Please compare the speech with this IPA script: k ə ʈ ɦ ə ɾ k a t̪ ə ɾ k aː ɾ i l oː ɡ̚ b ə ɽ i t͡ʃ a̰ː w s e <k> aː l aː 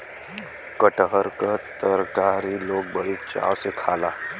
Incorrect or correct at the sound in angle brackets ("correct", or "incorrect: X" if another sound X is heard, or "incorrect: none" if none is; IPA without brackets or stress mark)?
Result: incorrect: kʰ